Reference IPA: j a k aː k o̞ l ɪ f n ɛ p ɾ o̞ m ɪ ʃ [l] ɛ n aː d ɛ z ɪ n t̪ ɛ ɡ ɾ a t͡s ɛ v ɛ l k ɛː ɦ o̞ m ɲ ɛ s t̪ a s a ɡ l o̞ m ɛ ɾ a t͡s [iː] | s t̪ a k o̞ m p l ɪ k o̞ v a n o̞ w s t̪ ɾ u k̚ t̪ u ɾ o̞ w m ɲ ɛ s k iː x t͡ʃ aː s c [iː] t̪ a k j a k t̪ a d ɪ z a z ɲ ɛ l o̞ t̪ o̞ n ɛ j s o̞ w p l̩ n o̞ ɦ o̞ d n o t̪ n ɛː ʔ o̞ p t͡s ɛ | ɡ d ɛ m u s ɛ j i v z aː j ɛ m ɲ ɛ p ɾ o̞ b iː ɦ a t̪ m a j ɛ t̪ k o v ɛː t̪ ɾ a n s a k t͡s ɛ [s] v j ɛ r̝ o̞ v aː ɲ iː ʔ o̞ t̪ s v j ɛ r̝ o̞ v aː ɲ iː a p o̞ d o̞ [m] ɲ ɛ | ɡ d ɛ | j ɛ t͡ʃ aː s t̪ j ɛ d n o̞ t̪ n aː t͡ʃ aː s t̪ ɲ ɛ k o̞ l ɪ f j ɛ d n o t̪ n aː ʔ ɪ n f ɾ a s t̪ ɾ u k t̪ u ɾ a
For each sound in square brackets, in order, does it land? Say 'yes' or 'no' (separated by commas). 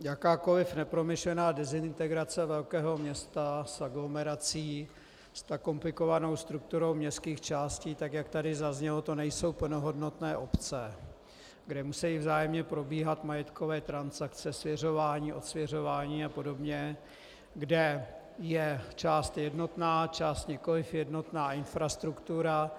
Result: yes, yes, yes, yes, no